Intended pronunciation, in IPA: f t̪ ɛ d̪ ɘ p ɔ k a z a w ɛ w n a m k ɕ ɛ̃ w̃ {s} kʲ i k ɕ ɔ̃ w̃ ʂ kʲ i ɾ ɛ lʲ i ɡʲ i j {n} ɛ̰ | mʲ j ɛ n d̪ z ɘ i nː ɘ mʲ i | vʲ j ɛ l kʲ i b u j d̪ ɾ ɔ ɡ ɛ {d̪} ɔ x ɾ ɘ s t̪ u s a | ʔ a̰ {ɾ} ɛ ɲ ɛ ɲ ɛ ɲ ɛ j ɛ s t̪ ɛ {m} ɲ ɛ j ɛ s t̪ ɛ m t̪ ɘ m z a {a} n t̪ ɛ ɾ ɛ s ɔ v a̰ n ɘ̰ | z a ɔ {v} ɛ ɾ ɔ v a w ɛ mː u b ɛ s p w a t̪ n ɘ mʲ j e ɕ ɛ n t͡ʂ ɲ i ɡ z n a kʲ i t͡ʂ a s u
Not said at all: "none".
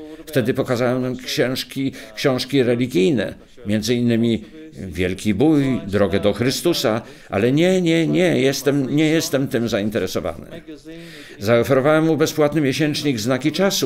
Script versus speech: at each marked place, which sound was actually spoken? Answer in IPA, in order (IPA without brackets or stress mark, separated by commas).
ʂ, n, d̪, l, m, i, f